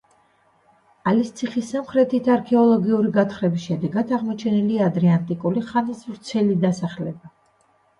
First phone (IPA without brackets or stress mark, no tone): a